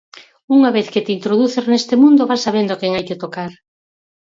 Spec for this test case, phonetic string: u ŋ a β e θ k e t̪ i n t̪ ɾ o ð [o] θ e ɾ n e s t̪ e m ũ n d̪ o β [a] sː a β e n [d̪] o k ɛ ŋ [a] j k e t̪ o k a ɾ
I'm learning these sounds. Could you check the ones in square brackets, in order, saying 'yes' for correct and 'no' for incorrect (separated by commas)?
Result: no, yes, yes, yes